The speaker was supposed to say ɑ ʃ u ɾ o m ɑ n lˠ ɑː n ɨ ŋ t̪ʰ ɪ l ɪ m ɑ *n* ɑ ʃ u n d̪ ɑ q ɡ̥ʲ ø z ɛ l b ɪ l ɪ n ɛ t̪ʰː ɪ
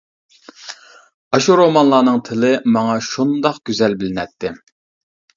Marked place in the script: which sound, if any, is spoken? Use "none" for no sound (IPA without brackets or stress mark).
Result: ŋ